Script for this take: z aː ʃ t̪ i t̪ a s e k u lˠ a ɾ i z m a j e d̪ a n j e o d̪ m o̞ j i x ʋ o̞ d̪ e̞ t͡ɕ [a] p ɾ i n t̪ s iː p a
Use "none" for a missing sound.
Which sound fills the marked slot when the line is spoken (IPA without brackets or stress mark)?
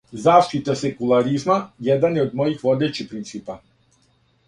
i